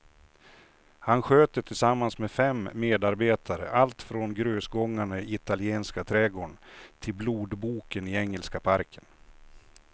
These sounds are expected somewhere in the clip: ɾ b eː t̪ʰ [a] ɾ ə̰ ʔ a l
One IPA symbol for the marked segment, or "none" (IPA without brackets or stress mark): a